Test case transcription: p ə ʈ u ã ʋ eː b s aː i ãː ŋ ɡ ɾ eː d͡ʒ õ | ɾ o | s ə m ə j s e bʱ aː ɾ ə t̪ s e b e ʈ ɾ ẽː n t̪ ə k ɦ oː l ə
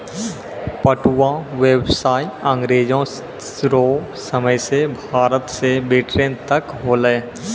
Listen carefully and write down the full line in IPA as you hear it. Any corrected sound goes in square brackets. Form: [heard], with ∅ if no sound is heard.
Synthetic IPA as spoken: p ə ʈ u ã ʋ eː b s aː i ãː ŋ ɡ ɾ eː d͡ʒ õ | ɾ o | s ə m ə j s e bʱ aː ɾ ə t̪ s e b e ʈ ɾ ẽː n t̪ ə k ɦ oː l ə